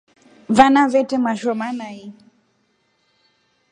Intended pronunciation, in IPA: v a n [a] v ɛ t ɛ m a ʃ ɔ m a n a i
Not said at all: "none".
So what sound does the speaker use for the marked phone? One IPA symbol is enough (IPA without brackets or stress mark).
a